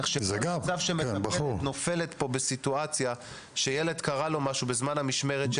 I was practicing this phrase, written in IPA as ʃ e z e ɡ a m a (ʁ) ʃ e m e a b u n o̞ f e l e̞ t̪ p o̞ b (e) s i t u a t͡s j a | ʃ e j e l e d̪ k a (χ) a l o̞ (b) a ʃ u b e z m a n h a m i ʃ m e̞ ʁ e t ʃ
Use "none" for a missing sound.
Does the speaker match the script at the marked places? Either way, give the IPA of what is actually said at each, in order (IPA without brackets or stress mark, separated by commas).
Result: v, e, ʁ, m